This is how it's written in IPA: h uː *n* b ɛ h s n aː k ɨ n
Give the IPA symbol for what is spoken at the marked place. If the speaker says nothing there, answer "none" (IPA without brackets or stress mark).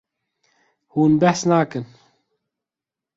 n